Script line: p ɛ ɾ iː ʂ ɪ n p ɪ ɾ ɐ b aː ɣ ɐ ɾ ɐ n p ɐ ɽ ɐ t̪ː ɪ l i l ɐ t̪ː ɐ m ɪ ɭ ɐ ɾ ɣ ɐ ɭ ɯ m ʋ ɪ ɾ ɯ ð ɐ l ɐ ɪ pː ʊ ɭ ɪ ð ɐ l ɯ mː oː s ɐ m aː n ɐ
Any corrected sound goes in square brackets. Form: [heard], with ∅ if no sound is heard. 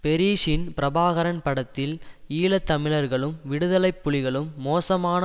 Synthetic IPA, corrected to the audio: p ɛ ɾ iː ʂ ɪ n p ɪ ɾ ɐ b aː ɣ ɐ ɾ ɐ n p ɐ ɽ ɐ t̪ː ɪ l [iː] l ɐ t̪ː ɐ m ɪ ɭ ɐ ɾ ɣ ɐ ɭ ɯ m ʋ ɪ [ɽ] ɯ ð ɐ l ɐ ɪ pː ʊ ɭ ɪ [ɣ] ɐ [ɭ] ɯ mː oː s ɐ m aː n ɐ